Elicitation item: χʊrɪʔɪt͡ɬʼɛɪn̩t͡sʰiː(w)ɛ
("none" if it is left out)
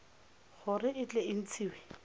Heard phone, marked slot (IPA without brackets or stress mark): w